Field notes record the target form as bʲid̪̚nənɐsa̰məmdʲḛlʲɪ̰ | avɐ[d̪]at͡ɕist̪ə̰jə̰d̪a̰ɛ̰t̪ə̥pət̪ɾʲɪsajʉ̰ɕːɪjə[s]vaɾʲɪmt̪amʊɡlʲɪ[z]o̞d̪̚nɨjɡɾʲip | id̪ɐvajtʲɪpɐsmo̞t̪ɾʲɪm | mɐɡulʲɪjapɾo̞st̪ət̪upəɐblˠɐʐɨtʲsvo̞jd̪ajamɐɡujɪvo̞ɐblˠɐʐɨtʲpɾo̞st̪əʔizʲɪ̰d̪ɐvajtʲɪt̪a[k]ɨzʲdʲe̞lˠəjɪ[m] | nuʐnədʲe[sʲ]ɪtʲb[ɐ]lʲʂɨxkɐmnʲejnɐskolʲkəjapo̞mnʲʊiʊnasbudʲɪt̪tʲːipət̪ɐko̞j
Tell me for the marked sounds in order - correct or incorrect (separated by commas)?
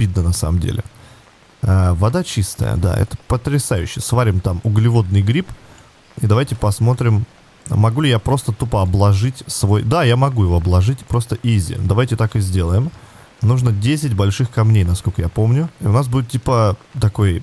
correct, correct, incorrect, correct, correct, correct, correct